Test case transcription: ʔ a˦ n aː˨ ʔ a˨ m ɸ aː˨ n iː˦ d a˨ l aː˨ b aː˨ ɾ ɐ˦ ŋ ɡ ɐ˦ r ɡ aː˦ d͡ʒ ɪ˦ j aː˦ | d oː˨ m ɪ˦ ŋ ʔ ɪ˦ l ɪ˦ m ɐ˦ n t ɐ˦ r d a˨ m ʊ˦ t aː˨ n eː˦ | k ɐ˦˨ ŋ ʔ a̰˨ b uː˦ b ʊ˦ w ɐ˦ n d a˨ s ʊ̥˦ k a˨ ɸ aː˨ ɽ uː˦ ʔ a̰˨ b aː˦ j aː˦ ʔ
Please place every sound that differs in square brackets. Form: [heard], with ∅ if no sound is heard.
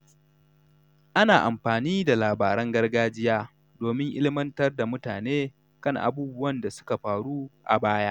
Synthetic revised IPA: ʔ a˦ n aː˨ ʔ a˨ m ɸ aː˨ n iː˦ d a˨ l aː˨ b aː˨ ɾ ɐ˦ ŋ ɡ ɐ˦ r ɡ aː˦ d͡ʒ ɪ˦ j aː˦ | d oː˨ m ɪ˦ ŋ ʔ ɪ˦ l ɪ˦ m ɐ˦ n t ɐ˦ r d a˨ m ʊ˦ t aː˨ n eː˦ | k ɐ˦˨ ŋ ʔ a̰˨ b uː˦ b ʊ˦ w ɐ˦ n d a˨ s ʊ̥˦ k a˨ ɸ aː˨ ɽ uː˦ ʔ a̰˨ b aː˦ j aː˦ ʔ